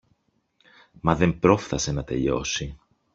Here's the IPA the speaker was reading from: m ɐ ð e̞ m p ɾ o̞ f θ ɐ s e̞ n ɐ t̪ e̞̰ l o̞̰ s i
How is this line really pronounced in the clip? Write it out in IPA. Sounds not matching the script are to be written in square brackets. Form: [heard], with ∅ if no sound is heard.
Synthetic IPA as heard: m ɐ ð e̞ m p ɾ o̞ f θ ɐ s e̞ n ɐ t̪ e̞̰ [ʎ] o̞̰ s i